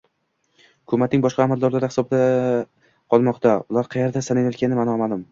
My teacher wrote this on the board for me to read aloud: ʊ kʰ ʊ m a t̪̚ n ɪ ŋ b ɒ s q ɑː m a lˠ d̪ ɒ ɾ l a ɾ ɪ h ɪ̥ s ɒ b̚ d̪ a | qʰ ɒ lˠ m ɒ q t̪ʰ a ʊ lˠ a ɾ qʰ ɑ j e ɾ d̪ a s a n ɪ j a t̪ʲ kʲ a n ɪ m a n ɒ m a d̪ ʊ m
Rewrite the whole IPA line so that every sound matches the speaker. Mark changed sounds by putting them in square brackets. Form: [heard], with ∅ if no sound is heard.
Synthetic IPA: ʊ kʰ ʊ m a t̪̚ n ɪ ŋ b ɒ [ʃ] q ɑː m a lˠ d̪ ɒ ɾ l a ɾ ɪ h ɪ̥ s ɒ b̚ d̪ a | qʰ ɒ lˠ m ɒ q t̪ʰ a ʊ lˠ a ɾ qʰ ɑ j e ɾ d̪ a s a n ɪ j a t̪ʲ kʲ a n ɪ m a n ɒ m a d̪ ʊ m